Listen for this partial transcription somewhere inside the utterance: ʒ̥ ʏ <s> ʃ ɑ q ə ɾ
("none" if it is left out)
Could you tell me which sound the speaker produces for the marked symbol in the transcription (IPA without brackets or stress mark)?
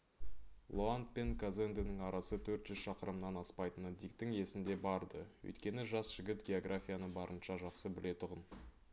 z